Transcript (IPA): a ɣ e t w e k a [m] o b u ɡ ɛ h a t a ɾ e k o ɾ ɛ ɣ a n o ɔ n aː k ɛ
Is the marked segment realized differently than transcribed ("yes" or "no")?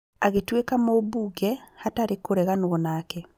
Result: no